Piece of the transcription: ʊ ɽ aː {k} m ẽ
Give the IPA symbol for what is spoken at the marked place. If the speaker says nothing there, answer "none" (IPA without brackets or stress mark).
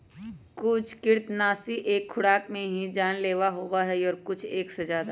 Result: k